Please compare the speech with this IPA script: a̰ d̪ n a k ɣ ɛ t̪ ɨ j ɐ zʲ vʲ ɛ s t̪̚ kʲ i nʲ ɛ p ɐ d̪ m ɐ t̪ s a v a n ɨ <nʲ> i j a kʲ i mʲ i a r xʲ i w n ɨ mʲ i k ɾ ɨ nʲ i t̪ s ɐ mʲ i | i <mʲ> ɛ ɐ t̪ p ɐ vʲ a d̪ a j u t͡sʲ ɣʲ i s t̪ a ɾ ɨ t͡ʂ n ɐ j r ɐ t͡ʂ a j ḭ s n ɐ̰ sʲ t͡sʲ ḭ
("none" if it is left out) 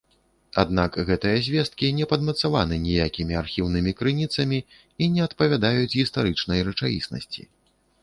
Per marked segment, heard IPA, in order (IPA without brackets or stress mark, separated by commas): nʲ, nʲ